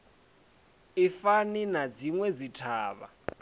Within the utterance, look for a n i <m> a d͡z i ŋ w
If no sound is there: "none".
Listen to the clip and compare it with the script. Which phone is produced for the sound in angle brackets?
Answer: n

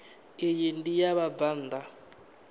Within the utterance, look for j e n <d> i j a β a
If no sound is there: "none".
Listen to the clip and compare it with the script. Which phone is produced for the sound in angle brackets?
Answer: d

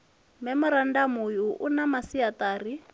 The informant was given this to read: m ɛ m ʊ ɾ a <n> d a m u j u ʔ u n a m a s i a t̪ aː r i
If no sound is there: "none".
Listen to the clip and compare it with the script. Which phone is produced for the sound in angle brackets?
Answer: n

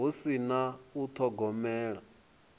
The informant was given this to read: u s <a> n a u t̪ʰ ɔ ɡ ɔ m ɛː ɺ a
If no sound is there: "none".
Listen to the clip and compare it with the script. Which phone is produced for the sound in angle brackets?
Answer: i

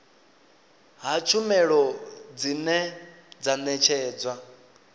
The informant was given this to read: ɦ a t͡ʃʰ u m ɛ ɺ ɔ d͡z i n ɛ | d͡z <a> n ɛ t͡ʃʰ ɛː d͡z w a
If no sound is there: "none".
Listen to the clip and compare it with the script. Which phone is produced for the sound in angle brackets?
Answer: a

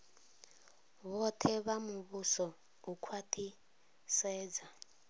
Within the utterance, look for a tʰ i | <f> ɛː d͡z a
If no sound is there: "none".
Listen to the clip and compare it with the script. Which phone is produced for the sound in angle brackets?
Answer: s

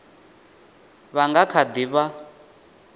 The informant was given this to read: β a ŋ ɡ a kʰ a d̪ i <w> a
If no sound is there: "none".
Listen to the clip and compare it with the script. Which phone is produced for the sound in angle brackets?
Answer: β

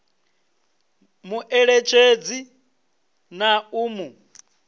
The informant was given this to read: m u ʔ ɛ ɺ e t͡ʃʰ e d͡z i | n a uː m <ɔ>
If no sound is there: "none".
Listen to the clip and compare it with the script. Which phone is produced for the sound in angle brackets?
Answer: u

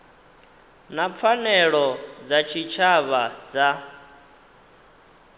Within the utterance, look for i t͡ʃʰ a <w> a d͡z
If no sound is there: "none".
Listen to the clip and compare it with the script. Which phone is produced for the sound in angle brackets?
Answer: β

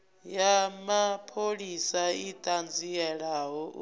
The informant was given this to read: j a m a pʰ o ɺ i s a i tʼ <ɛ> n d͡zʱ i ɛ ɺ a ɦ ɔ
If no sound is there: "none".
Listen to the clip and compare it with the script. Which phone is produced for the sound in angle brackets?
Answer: a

